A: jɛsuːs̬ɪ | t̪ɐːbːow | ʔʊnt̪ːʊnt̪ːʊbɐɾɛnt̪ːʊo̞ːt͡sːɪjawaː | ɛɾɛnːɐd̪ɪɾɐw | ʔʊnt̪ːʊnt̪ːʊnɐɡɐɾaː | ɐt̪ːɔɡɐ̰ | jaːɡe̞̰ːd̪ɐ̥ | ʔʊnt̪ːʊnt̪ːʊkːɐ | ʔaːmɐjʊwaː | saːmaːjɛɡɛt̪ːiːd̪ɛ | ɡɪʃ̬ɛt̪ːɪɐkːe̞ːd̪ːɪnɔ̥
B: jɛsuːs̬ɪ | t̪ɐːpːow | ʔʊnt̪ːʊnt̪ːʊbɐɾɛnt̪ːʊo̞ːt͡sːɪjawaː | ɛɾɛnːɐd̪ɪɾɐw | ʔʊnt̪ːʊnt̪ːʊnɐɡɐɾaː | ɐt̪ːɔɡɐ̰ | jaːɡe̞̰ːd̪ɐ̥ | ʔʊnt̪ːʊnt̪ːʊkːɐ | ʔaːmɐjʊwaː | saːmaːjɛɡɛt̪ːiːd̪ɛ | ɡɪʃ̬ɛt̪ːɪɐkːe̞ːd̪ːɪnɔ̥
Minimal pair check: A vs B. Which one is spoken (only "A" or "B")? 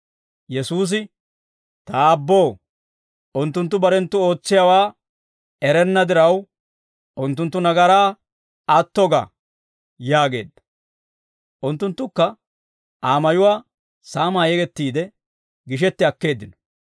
A